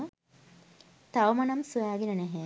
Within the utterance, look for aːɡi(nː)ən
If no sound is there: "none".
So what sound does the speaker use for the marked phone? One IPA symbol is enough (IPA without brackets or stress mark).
n